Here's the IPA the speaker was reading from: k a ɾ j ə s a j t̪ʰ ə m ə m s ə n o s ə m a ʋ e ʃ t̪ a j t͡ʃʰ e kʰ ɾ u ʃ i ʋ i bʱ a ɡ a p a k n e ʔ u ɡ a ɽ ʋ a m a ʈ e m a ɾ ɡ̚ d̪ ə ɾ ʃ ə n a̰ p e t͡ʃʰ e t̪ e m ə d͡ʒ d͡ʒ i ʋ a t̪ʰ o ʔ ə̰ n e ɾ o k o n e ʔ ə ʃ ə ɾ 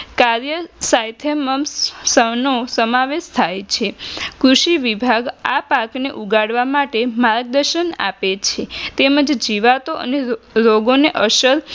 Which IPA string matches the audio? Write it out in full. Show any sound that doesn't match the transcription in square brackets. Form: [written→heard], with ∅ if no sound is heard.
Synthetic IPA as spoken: k a ɾ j ə s a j t̪ʰ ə m ə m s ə n o s ə m a ʋ e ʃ [t̪→t̪ʰ] a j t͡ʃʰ e [kʰ→k] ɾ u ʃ i ʋ i bʱ a ɡ a p a k n e ʔ u ɡ a ɽ ʋ a m a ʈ e m a ɾ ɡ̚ d̪ ə ɾ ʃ ə n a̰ p e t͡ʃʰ e t̪ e m ə d͡ʒ d͡ʒ i ʋ a [t̪ʰ→t̪] o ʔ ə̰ n e ɾ o [k→ɡ] o n e ʔ ə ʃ ə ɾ